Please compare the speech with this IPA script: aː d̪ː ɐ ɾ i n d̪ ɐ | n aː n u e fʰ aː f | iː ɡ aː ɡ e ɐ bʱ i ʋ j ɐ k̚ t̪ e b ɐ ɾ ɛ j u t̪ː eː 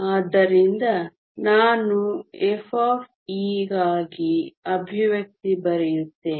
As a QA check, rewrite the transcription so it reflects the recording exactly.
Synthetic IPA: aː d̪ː ɐ ɾ i n d̪ ɐ | n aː n u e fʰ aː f | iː ɡ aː ɡ i ɐ bʱ i ʋ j ɐ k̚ t̪ i b ɐ ɾ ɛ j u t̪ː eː